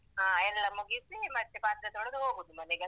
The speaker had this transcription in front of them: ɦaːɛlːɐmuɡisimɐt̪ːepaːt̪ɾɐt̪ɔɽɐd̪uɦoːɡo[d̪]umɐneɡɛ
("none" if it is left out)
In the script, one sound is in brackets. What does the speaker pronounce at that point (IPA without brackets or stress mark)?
d̪